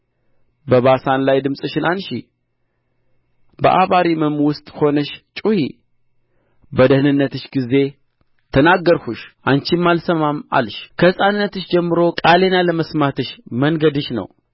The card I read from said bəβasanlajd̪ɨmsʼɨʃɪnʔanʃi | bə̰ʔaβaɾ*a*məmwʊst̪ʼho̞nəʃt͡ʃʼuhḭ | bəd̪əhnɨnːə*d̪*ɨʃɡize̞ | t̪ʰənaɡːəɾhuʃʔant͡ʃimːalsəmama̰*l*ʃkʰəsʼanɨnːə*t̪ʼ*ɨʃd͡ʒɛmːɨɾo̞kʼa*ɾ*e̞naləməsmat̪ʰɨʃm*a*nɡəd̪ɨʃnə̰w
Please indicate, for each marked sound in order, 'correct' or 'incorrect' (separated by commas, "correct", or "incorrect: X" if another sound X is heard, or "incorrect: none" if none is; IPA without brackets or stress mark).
incorrect: i, incorrect: t̪, correct, incorrect: t̪, incorrect: l, incorrect: ə